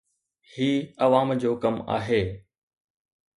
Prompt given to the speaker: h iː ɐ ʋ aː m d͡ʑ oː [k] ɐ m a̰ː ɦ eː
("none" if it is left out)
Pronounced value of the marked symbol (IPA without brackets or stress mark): k